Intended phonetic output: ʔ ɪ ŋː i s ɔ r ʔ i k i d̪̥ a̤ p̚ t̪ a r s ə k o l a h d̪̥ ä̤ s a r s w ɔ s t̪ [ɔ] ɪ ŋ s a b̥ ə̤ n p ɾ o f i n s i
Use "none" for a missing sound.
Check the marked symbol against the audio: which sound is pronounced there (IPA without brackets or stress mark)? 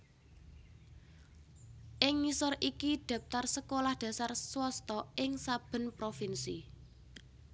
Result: ɔ